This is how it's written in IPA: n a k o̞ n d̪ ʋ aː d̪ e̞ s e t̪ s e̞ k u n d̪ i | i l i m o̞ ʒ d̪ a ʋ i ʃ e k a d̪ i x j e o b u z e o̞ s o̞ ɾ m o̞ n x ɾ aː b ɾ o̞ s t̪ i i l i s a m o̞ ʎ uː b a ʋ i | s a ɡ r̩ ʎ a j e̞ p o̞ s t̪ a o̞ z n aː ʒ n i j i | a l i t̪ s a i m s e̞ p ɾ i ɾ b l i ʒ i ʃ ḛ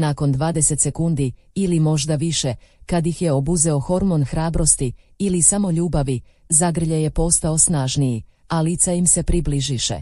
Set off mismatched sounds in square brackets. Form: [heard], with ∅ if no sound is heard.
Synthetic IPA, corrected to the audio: n a k o̞ n d̪ ʋ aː d̪ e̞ s e t̪ s e̞ k u n d̪ i | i l i m o̞ ʒ d̪ a ʋ i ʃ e k a d̪ i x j e o b u z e o̞ [x] o̞ ɾ m o̞ n x ɾ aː b ɾ o̞ s t̪ i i l i s a m o̞ ʎ uː b a ʋ i | [z] a ɡ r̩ ʎ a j e̞ p o̞ s t̪ a o̞ [s] n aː ʒ n i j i | a l i t̪ s a i m s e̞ p ɾ i [∅] b l i ʒ i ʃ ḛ